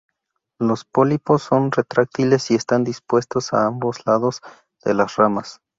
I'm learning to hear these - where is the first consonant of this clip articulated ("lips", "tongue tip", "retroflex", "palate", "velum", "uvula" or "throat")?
tongue tip